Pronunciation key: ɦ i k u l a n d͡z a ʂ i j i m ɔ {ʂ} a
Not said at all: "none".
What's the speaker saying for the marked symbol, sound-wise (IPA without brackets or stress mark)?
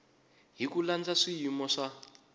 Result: ʂ